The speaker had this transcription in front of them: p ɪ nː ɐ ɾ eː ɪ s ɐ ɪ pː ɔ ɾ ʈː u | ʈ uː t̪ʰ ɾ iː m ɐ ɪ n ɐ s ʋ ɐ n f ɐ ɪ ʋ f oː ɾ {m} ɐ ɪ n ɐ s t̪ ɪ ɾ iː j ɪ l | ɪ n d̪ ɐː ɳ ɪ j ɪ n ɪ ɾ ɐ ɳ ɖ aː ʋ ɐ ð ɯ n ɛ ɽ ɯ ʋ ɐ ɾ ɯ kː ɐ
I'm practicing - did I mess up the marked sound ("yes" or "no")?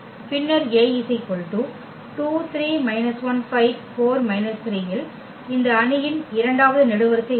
no